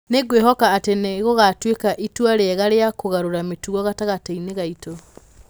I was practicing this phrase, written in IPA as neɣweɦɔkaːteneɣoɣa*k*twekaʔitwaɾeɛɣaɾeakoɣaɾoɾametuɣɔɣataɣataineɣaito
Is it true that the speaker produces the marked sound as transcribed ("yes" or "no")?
no